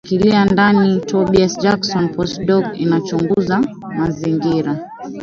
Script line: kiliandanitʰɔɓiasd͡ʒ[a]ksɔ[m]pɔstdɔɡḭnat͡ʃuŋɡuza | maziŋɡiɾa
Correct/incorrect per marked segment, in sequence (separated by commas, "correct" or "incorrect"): correct, incorrect